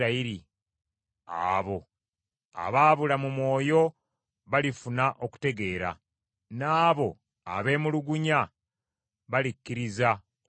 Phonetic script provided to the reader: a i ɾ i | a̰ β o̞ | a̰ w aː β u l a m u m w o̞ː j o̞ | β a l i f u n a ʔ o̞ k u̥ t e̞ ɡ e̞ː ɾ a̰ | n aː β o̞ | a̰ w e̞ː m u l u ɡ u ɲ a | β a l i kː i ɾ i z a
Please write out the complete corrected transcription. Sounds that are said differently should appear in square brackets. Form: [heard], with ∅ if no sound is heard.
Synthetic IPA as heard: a i ɾ i | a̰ β o̞ | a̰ [β] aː β u l a m u m w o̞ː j o̞ | β a l i f u n a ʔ o̞ k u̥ t e̞ ɡ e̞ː ɾ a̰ | n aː β o̞ | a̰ [β] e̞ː m u l u ɡ u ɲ a | β a l i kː i ɾ i z a